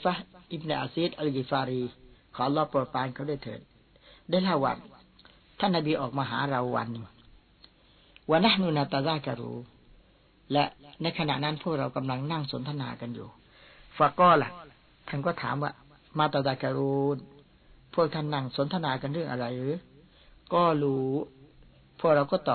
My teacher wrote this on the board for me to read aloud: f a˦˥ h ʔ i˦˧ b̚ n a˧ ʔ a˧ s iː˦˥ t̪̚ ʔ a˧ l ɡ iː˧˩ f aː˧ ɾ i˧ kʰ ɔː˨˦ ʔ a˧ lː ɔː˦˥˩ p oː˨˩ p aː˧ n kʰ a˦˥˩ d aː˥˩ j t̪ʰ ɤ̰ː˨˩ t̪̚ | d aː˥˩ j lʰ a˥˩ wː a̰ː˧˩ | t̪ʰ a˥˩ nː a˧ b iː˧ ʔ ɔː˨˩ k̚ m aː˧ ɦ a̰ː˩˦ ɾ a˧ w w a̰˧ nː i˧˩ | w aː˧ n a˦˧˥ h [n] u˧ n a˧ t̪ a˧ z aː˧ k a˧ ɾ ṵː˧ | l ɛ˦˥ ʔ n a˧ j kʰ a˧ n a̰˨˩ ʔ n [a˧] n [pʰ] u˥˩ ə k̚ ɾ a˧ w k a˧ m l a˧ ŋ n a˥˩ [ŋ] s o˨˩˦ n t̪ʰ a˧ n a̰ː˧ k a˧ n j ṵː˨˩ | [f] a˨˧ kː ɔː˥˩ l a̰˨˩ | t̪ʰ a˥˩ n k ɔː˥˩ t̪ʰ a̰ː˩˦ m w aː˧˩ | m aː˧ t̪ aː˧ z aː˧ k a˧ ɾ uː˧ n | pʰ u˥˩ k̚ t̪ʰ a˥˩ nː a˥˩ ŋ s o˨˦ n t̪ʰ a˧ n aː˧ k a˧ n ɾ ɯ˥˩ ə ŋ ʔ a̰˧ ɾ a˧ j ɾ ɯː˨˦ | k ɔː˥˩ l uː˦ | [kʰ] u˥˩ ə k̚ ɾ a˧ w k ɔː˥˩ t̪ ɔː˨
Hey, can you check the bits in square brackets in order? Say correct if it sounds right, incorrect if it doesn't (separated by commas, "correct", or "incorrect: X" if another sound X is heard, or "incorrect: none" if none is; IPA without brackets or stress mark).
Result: correct, incorrect: a˦˥˩, correct, correct, correct, incorrect: pʰ